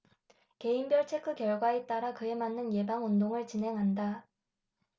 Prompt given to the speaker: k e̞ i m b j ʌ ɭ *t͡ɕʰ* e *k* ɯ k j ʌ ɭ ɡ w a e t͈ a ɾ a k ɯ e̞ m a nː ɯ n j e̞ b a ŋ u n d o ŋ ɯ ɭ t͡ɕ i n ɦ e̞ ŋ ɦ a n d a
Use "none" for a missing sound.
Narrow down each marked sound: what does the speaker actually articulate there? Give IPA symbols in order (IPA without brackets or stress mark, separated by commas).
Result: t͡ɕʰ, kʰ